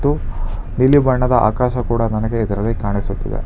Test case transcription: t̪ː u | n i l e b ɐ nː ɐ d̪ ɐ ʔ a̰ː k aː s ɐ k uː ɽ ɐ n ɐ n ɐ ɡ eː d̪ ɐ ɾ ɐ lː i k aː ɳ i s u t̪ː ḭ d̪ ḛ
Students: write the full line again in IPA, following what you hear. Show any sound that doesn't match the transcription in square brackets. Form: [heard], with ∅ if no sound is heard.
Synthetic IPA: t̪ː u | n i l [i] b ɐ [ɳː] ɐ d̪ ɐ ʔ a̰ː k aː [ʃ] ɐ k uː ɽ ɐ n ɐ n ɐ ɡ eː d̪ ɐ ɾ ɐ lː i k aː ɳ i s u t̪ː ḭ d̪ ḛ